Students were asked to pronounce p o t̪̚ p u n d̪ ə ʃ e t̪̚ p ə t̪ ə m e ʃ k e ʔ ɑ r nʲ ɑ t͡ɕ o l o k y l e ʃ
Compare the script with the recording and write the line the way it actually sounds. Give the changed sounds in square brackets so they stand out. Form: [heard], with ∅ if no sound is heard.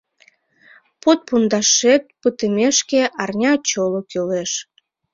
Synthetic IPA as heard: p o t̪̚ p u n d̪ [ɑ] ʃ e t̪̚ p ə t̪ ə m e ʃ k e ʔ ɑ r nʲ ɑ t͡ɕ o l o k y l e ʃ